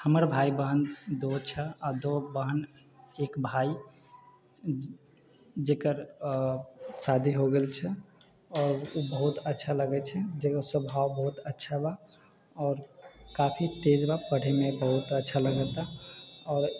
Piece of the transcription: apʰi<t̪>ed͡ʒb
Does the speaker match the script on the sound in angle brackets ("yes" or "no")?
yes